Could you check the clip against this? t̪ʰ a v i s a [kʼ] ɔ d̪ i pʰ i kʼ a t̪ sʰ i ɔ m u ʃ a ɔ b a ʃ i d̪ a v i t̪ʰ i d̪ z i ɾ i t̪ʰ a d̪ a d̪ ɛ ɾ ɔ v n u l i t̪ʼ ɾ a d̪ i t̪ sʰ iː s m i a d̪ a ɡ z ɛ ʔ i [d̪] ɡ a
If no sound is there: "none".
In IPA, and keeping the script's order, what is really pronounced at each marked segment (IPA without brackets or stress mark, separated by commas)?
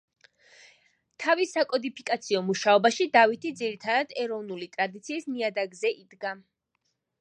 kʼ, d̪